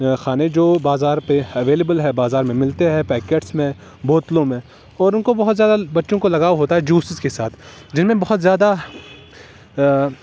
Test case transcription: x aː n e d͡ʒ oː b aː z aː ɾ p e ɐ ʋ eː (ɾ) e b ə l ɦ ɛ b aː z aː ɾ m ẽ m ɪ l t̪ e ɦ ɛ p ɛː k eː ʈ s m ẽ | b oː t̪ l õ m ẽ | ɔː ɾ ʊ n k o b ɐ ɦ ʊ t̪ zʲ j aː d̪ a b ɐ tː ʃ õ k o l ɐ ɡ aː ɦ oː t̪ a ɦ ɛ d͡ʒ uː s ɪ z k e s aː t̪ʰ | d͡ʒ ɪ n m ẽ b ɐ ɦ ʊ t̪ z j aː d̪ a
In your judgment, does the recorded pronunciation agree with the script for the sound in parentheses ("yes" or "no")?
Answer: no